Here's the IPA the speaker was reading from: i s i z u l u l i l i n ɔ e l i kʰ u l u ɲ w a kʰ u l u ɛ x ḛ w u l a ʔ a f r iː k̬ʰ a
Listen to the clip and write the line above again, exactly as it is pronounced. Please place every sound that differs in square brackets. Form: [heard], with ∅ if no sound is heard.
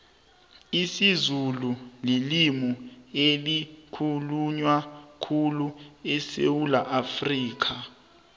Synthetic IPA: i s i z u l u l i l i [m] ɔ e l i kʰ u l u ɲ w a kʰ u l u ɛ [s] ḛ w u l a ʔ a f r iː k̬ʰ a

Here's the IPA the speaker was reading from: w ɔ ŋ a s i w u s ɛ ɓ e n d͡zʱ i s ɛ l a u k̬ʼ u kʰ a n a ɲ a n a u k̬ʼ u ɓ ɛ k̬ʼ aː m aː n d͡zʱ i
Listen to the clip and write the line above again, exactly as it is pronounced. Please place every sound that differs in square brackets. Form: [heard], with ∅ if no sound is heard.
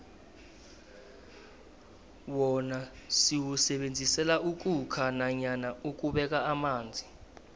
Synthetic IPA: w ɔ [n] a s i w u s ɛ ɓ e n d͡zʱ i s ɛ l a u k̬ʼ u kʰ a n a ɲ a n a u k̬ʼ u ɓ ɛ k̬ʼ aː m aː n d͡zʱ i

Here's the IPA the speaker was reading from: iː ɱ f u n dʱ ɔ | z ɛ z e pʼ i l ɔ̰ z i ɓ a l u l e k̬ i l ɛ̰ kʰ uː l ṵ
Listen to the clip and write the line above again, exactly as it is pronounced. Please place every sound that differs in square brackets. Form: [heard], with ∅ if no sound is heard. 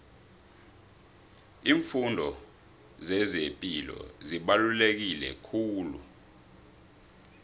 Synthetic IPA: iː ɱ f u n dʱ ɔ | z ɛ z e pʼ i l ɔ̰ z i ɓ a l u l e k̬ i l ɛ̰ kʰ uː l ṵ

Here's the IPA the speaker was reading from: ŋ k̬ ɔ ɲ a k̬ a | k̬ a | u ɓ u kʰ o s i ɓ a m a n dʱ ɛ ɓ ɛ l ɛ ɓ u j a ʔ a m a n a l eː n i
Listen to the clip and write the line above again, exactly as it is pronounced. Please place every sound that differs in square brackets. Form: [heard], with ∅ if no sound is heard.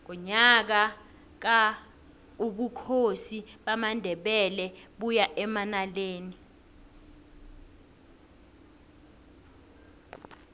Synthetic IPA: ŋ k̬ ɔ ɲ a k̬ a | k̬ a | u ɓ u kʰ o s i ɓ a m a n dʱ ɛ ɓ ɛ l ɛ ɓ u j a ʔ [ɛ] m a n a l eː n i

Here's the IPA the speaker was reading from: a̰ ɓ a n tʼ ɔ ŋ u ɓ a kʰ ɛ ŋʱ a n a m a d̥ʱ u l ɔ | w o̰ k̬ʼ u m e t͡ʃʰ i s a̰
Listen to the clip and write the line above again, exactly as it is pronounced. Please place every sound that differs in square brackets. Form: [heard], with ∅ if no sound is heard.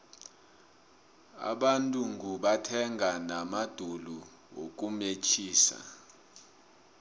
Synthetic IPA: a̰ ɓ a n tʼ [u] ŋ u ɓ a [tʰ] ɛ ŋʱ a n a m a d̥ʱ u l [u] | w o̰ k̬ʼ u m e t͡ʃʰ [iː] s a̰

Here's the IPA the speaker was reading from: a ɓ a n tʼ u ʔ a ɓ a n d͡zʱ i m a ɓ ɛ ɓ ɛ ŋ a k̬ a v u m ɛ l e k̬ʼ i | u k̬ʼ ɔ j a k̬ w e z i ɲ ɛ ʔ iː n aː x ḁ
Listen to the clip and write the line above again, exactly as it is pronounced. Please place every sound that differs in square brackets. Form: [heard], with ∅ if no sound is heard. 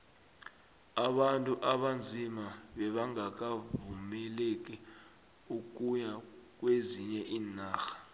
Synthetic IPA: a ɓ a n tʼ u ʔ a ɓ a n d͡zʱ i m a ɓ ɛ ɓ [a] ŋ a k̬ a v u m ɛ l e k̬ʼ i | u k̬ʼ [u] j a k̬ w e z i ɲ ɛ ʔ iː n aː x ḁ

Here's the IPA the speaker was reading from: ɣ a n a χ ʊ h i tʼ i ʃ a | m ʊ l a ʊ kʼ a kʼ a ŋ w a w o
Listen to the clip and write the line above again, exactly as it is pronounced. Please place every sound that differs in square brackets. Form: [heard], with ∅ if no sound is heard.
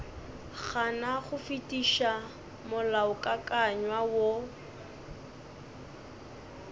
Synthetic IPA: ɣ a n a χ ʊ [f] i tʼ i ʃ a | m ʊ l a ʊ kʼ a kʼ a [ɲ] w a w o

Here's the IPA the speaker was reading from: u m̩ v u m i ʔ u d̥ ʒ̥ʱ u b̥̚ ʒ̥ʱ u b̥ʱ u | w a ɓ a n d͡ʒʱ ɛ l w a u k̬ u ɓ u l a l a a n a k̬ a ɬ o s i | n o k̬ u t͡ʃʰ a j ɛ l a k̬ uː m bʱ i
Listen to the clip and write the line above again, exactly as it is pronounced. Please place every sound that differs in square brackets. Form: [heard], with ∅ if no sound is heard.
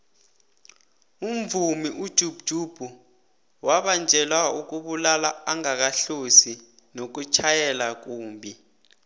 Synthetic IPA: u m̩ v u m i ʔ u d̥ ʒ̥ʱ u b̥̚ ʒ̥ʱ u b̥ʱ u | w a ɓ a n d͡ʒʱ ɛ l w a u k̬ u ɓ u l a l a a [ŋ] a k̬ a ɬ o s i | n o k̬ u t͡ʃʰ a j ɛ l a k̬ uː m bʱ i

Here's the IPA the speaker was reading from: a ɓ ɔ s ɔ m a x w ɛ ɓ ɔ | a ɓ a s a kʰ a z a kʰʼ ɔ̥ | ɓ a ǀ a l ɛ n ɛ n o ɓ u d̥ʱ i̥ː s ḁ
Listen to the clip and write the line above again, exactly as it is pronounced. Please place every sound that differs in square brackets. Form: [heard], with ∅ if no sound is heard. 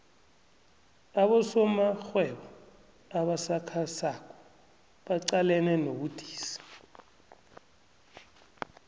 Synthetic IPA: a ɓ ɔ s ɔ m a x w ɛ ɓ ɔ | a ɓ a s a kʰ a [s] a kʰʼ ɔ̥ | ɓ a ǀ a l ɛ n ɛ n o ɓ u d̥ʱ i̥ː s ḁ

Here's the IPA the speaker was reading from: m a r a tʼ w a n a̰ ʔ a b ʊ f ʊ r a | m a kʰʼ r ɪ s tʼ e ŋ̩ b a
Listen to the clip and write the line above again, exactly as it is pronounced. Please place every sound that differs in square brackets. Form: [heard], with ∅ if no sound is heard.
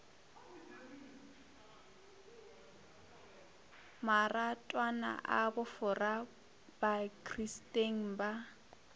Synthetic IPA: m a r a tʼ w a n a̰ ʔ a b ʊ f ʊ r a | [b] a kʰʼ r [i] s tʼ e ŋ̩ b a

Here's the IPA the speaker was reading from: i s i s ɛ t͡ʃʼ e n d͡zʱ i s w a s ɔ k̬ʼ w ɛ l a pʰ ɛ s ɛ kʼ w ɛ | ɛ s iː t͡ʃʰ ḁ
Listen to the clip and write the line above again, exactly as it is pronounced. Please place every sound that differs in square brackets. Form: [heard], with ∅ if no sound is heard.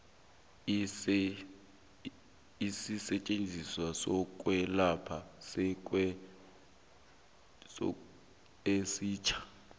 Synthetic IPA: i s i s ɛ t͡ʃʼ e n d͡zʱ i s w a s ɔ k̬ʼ w ɛ l a pʰ [a] s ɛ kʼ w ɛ | [e] s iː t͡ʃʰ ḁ

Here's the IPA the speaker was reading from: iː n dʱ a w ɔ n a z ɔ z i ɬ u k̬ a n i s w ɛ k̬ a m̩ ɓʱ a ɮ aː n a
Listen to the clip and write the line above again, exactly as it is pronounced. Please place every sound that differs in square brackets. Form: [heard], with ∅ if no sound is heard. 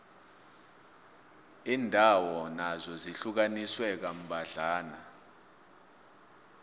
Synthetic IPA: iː n dʱ a w ɔ n a z ɔ z i ɬ u k̬ a n i s w ɛ k̬ a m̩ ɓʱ a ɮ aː n a

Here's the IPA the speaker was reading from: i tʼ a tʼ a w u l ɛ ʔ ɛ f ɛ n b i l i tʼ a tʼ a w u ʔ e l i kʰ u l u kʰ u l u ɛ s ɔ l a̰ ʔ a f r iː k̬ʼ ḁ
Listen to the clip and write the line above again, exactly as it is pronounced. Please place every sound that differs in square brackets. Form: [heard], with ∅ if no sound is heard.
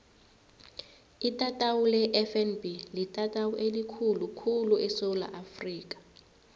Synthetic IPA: i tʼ a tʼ a w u l ɛ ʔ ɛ f ɛ n b i l i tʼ a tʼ a w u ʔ e l i kʰ u l u kʰ u l u ɛ s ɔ l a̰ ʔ a f r iː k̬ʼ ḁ

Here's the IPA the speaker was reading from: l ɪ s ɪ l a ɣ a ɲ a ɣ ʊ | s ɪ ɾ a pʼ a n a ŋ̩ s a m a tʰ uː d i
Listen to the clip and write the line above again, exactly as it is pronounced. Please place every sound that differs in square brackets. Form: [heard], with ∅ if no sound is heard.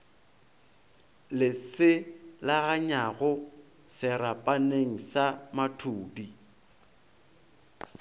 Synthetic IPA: l ɪ s ɪ l a ɣ a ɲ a ɣ ʊ | s ɪ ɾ a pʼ a n [e] ŋ̩ s a m a tʰ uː d i

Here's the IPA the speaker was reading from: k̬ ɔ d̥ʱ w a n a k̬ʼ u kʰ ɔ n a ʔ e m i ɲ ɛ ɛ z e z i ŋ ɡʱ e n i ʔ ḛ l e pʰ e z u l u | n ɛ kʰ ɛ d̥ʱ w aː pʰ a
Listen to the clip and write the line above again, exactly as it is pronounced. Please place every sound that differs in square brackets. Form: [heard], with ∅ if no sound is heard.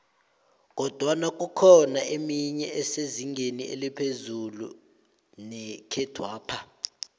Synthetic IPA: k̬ ɔ d̥ʱ w a n a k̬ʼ u kʰ ɔ n a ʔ e m i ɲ ɛ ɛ [s] e z i ŋ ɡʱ e n i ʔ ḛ l [i] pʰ e z u l u | n ɛ kʰ ɛ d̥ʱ w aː pʰ a

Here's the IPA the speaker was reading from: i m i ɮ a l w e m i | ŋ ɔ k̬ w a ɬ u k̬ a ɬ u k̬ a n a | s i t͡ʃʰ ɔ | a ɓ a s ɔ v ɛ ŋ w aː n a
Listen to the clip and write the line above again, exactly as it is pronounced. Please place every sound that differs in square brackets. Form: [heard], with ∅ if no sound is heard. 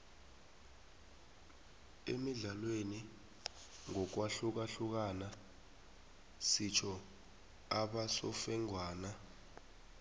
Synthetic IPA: [e] m i ɮ a l w e [n] i | ŋ ɔ k̬ w a ɬ u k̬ a ɬ u k̬ a n a | s i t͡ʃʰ ɔ | a ɓ a s ɔ [f] ɛ ŋ w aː n a

